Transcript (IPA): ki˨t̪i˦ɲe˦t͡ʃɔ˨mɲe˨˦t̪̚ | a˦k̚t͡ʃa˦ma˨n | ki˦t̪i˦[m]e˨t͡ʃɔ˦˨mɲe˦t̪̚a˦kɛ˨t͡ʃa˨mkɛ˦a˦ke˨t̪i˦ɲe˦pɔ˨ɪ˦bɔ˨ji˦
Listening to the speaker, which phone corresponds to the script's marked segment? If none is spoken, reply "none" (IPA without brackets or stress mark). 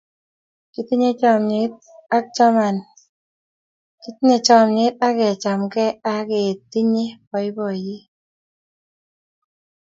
ɲ